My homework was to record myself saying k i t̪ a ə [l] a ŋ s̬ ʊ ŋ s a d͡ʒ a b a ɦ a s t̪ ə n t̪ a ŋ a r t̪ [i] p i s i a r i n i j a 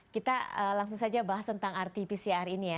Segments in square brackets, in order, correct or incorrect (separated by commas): correct, correct